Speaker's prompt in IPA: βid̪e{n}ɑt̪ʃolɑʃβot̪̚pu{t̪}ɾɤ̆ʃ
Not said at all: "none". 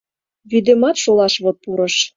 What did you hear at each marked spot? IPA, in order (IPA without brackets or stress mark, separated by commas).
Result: m, none